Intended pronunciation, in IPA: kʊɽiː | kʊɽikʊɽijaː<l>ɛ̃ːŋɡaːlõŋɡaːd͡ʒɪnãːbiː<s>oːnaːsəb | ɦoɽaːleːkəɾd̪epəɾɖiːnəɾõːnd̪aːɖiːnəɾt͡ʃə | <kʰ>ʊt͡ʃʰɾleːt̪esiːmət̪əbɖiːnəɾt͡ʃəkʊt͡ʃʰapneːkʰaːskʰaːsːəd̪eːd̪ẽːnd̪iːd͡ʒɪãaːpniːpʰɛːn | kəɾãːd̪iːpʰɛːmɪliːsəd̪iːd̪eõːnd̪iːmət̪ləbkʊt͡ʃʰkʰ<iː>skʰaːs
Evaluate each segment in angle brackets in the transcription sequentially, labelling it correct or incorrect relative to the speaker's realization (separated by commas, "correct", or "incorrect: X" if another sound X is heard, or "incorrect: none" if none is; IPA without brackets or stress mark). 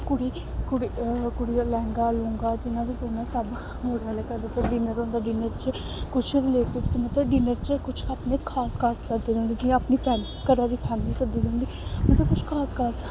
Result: correct, correct, incorrect: k, incorrect: aː